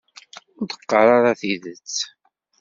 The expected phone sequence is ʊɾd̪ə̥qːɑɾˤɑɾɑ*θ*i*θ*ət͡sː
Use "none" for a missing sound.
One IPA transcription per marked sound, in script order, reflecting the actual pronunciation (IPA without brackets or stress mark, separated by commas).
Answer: θ, ð